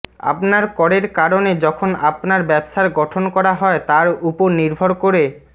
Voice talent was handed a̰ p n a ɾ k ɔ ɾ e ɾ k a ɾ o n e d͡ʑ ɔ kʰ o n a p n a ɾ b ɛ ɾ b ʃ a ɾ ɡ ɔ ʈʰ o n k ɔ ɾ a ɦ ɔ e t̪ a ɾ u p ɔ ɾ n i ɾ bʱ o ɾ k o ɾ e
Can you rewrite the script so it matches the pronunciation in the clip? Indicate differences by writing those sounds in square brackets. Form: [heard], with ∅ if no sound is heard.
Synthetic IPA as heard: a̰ p n a ɾ k ɔ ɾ e ɾ k a ɾ o n e d͡ʑ ɔ kʰ o n a p n a ɾ b ɛ [∅] b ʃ a ɾ ɡ ɔ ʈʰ o n k ɔ ɾ a ɦ ɔ e t̪ a ɾ u p [o] ɾ n i ɾ bʱ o ɾ k o ɾ e